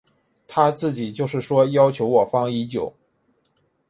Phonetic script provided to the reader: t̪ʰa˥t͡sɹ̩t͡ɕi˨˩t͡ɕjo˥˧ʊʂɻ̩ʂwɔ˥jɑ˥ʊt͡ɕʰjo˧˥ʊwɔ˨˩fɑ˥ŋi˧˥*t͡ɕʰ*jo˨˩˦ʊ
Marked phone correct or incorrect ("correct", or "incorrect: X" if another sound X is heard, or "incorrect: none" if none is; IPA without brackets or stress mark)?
incorrect: t͡ɕ